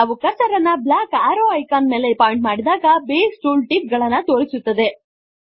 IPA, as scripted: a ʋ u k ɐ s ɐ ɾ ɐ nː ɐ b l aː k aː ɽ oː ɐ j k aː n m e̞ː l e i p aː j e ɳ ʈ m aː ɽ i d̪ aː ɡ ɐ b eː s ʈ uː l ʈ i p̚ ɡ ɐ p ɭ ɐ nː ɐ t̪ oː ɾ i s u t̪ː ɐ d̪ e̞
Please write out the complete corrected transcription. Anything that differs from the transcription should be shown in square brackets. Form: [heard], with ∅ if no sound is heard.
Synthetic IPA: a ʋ u k ɐ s ɐ ɾ ɐ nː ɐ b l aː k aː [ɾ] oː ɐ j k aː n m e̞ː l e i p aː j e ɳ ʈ m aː ɽ i d̪ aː ɡ ɐ b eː s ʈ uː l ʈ i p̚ ɡ ɐ [∅] ɭ ɐ nː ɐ t̪ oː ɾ i s u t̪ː ɐ d̪ e̞